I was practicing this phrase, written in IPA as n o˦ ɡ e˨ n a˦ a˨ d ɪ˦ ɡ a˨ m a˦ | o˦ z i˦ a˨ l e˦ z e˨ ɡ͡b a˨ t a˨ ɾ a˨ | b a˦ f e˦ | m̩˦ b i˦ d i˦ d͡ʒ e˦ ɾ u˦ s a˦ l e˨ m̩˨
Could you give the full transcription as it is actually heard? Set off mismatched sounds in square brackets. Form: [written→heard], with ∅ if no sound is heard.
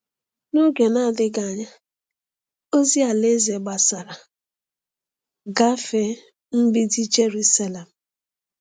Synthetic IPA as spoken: n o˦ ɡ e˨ n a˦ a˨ d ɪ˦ ɡ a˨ [m→ɲ] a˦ | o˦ z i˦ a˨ l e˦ z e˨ ɡ͡b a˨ [t→s] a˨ ɾ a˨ | [b→ɡ] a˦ f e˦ | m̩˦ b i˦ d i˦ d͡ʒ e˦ ɾ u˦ s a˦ l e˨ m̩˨